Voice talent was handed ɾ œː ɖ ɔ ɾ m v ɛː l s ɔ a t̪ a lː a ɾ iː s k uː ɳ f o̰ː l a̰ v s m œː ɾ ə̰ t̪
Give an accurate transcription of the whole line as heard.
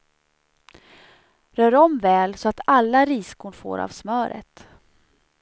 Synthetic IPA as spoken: ɾ œː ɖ ɔ m v ɛː l s ɔ a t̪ a lː a ɾ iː s k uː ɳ f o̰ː ɾ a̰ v s m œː ɾ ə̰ t̪